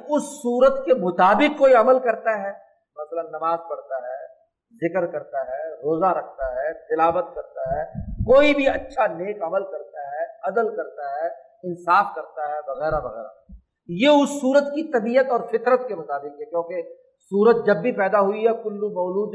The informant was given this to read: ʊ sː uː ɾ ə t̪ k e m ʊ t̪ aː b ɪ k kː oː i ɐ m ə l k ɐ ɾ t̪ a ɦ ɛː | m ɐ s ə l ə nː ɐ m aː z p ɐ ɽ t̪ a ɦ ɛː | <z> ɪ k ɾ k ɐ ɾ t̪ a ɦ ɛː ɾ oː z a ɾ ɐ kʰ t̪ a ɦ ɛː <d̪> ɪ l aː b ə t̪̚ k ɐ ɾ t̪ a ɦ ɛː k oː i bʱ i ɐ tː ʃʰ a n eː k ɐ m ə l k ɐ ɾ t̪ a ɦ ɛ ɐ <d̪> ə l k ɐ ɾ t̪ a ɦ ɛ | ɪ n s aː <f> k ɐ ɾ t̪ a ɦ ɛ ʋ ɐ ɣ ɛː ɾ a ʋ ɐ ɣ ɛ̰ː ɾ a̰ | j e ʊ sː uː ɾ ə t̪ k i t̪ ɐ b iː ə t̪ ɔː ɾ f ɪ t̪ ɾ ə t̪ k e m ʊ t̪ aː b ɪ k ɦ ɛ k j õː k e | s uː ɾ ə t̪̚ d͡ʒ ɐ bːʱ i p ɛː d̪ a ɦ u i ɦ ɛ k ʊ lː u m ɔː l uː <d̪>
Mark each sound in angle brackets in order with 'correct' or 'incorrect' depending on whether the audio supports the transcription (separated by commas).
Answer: correct, incorrect, correct, correct, correct